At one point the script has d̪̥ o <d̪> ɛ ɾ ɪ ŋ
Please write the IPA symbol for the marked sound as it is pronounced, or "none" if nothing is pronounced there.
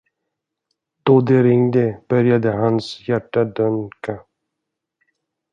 d̪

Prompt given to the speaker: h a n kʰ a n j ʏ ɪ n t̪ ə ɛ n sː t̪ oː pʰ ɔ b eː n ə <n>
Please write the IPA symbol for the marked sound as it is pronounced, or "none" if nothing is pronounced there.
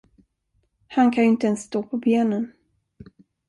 n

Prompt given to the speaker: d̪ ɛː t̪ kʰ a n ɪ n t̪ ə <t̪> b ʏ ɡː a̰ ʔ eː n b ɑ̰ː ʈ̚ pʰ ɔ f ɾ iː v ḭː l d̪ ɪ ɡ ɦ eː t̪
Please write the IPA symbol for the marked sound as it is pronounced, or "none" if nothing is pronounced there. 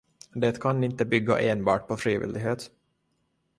none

